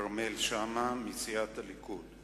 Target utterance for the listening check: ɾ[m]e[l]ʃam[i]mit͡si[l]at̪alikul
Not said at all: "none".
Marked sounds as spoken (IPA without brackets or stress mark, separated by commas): m, l, a, none